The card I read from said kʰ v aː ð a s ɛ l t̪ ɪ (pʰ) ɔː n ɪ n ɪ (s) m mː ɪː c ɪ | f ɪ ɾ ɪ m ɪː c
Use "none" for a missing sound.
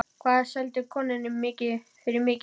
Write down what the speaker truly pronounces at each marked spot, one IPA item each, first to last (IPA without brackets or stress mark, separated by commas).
kʰ, none